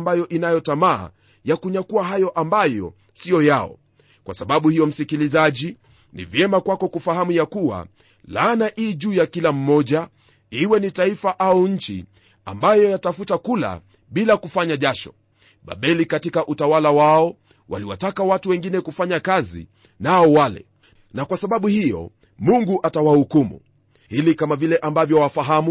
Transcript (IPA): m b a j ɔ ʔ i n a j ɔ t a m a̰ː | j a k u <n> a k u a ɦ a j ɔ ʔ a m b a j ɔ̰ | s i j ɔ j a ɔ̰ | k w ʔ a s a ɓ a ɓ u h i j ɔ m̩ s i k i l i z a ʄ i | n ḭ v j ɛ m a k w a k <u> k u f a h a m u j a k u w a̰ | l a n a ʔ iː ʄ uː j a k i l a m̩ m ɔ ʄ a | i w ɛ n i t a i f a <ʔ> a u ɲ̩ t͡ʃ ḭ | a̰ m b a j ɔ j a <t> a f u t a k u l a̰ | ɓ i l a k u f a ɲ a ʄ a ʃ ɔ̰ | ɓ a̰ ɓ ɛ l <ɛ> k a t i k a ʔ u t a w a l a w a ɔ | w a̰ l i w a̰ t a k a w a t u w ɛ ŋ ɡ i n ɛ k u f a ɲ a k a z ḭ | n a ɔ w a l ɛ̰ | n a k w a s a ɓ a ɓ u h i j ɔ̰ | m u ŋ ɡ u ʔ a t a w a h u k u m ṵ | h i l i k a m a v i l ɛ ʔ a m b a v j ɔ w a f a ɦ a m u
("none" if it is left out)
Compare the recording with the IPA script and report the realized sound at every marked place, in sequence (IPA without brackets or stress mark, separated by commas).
ɲ, ɔ, ʔ, t, i